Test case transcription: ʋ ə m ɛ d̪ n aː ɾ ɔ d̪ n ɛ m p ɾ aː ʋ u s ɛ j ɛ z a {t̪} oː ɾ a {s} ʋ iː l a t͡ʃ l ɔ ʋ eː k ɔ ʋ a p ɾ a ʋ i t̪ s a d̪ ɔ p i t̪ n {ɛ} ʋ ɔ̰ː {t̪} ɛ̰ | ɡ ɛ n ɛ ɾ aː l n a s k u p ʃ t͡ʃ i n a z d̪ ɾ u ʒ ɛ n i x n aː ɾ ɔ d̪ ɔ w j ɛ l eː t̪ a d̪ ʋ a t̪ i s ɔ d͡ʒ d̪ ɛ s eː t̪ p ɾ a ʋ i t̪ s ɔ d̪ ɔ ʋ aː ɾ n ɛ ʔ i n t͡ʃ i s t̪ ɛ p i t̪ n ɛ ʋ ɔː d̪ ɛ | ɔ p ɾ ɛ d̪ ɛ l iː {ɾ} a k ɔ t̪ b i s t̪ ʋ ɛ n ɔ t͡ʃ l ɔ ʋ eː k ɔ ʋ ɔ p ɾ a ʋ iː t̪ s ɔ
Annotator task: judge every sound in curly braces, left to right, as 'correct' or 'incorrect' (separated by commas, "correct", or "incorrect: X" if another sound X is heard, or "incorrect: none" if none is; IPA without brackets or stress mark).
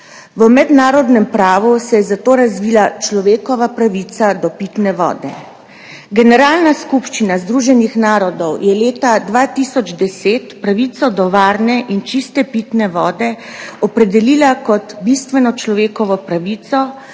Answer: correct, incorrect: z, correct, incorrect: d̪, incorrect: l